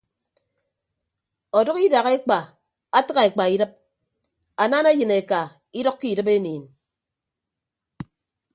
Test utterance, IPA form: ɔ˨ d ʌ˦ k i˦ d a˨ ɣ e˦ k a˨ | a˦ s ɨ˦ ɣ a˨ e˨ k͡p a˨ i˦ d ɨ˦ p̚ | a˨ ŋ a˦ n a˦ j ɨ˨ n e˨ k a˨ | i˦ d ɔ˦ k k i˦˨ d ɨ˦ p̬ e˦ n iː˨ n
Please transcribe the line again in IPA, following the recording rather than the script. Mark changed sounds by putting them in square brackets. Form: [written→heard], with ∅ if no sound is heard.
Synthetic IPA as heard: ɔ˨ d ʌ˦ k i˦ d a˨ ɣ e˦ [k→k͡p] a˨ | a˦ [s→t] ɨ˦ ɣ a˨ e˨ k͡p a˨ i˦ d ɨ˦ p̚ | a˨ [ŋ→n] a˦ n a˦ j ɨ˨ n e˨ k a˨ | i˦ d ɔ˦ k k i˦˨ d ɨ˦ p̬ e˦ n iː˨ n